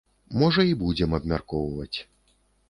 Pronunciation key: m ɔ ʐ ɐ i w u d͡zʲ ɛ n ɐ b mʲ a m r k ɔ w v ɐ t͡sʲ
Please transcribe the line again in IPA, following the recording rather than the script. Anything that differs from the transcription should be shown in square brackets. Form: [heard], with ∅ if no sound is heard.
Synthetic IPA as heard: m ɔ ʐ ɐ i [b] u d͡zʲ ɛ [m] ɐ b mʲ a [∅] r k ɔ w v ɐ t͡sʲ

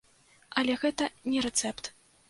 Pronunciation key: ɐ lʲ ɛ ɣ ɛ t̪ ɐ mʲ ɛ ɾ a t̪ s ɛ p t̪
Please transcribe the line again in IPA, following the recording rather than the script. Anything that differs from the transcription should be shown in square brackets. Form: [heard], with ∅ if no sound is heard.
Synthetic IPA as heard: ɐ lʲ ɛ ɣ ɛ t̪ ɐ [nʲ] ɛ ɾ [ɛ] t̪ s ɛ p t̪

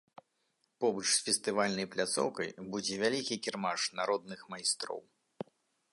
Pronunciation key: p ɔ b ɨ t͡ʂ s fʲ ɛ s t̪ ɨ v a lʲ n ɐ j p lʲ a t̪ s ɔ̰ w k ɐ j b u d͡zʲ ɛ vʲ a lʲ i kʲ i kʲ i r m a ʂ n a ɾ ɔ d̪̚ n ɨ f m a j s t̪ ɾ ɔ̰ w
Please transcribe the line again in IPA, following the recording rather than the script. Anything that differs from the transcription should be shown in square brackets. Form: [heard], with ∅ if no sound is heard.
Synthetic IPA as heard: p ɔ b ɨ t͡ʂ s fʲ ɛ s t̪ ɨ v a lʲ n ɐ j p lʲ a t̪ s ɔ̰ w k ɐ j b u d͡zʲ ɛ vʲ a lʲ i kʲ i kʲ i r m a ʂ n a ɾ ɔ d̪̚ n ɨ [x] m a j s t̪ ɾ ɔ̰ w

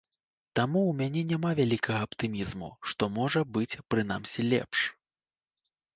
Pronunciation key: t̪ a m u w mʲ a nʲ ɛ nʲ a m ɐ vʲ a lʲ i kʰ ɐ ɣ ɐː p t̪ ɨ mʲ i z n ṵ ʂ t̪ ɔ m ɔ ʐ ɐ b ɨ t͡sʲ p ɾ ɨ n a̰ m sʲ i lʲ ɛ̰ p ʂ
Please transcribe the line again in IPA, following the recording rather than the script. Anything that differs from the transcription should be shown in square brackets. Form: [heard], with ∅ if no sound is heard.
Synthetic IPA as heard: t̪ a m u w mʲ a nʲ ɛ nʲ a m [a] vʲ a lʲ i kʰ ɐ ɣ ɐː p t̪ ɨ mʲ i z [m] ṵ ʂ t̪ ɔ m ɔ ʐ ɐ b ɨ t͡sʲ p ɾ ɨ n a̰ m sʲ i lʲ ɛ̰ p ʂ

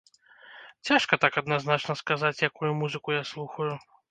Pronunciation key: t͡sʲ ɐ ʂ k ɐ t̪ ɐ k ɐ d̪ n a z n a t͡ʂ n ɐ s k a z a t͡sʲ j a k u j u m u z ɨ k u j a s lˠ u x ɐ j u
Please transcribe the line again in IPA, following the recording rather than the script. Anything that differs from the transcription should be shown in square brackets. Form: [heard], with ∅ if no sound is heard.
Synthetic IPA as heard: t͡sʲ [a] ʂ k ɐ t̪ [a] k ɐ d̪ n a z n a t͡ʂ n ɐ s k a z a t͡sʲ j a k u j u m u z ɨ k u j a s lˠ u x ɐ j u

